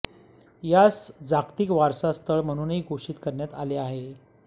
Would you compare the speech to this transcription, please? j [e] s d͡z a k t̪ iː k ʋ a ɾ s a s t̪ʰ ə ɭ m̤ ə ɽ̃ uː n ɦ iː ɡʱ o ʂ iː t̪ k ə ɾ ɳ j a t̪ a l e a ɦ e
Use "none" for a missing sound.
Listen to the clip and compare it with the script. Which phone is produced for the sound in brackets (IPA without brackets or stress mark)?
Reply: a